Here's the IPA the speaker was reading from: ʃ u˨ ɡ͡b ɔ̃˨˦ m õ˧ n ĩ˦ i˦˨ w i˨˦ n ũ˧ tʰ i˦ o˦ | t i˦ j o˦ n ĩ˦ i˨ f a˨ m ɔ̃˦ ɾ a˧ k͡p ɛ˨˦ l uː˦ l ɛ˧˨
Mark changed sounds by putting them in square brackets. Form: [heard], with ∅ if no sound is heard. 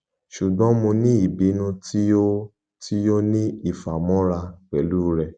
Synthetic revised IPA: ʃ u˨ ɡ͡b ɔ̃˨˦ m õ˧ n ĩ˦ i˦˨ [b] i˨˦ n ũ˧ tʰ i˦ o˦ | t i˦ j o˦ n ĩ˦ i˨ f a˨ m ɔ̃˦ ɾ a˧ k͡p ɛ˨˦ l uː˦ [ɾ] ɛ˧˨